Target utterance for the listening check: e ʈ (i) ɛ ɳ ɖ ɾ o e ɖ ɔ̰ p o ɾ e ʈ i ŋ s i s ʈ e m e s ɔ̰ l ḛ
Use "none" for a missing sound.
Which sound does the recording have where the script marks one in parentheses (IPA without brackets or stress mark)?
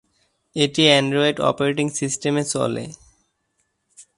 i